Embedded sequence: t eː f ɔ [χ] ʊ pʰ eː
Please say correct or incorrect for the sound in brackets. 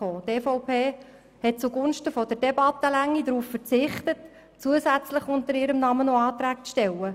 incorrect